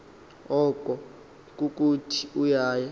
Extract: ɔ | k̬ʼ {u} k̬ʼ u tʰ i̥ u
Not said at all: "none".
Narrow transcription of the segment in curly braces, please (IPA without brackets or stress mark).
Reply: u